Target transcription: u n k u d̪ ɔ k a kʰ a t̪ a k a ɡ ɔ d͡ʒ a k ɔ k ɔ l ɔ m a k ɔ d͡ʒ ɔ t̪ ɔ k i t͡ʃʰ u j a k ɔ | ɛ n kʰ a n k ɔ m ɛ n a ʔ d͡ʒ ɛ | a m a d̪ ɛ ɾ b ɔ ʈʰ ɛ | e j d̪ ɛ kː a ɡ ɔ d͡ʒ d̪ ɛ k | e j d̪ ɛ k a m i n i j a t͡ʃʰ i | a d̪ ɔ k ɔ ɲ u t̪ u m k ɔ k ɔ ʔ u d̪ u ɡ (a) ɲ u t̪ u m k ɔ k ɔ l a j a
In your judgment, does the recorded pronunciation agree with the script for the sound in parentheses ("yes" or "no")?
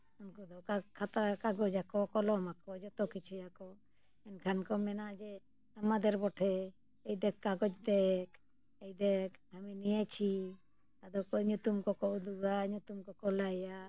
yes